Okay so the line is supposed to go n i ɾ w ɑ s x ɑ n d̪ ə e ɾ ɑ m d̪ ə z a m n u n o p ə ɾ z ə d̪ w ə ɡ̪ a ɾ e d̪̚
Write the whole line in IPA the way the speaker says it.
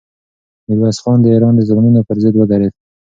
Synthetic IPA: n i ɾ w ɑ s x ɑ n d̪ ə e ɾ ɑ n d̪ ə z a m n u n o p ə ɾ z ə d̪ w ə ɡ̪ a ɾ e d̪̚